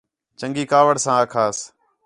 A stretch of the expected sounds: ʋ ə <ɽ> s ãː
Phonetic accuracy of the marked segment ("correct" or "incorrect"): correct